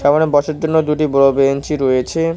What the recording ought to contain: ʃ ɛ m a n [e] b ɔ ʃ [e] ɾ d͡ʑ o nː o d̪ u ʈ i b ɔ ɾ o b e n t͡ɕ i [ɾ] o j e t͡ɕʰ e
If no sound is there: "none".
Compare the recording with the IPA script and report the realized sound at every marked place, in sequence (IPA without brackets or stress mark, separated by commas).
e, e, ɾ